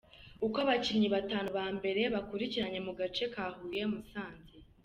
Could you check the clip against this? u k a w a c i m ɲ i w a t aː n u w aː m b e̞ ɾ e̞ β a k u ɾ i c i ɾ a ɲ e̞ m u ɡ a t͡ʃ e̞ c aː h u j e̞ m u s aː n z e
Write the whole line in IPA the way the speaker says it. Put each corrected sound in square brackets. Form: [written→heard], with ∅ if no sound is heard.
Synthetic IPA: u k a [w→β] a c i m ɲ i [w→β] a t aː n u [w→β] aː m b e̞ ɾ e̞ β a k u ɾ i c i ɾ a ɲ e̞ m u ɡ a t͡ʃ e̞ [c→k] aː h u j e̞ m u s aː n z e